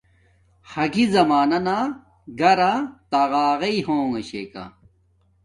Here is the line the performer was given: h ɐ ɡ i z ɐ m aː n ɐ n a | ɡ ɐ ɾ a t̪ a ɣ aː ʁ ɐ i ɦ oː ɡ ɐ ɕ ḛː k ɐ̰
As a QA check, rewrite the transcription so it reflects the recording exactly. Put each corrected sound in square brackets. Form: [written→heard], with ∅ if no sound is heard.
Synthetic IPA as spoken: h ɐ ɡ i z ɐ m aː n ɐ n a | ɡ ɐ ɾ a t̪ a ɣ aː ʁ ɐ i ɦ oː [ɡ→ŋ] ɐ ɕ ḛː k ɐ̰